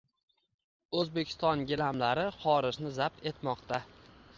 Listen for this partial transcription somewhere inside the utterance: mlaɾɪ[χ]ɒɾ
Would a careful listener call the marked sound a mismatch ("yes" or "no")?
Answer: no